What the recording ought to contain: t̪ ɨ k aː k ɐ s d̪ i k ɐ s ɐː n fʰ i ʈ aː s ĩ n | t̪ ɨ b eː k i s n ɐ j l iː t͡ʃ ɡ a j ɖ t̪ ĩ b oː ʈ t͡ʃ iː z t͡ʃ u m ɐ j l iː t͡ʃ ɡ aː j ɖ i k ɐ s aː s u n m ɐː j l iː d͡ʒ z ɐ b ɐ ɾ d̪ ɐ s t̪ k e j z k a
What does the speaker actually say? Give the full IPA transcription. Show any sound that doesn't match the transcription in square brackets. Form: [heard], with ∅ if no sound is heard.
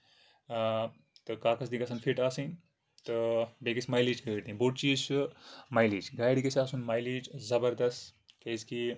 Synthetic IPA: t̪ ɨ k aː k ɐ s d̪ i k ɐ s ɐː n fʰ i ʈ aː s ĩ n | t̪ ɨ b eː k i s [m] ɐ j l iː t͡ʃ ɡ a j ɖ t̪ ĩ b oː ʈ t͡ʃ iː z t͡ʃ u m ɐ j l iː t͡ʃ ɡ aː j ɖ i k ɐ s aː s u n m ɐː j l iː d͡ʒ z ɐ b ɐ ɾ d̪ ɐ s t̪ k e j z k [i]